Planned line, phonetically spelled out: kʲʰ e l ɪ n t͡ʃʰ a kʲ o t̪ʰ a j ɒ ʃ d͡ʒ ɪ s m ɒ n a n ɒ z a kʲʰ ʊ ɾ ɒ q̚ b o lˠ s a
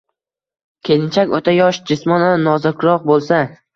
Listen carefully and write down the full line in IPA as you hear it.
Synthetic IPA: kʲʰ e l ɪ n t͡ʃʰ a kʲ o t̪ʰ a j ɒ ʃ d͡ʒ ɪ s m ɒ n a n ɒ z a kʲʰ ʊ ɾ ɒ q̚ b o lˠ s a